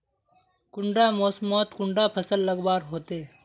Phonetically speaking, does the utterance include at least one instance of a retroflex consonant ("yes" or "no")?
yes